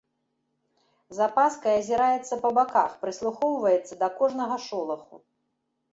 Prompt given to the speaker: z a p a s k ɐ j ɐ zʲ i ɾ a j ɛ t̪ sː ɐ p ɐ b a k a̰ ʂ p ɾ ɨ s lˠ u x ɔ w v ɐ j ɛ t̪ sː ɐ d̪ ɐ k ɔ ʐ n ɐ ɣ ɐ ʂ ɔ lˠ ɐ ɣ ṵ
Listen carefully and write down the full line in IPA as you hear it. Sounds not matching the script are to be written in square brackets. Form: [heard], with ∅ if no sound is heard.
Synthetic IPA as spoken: z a p a s k ɐ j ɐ zʲ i ɾ a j ɛ t̪ sː ɐ p ɐ b a k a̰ [x] p ɾ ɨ s lˠ u x ɔ w v ɐ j ɛ t̪ sː ɐ d̪ ɐ k ɔ ʐ n ɐ ɣ ɐ ʂ ɔ lˠ ɐ [x] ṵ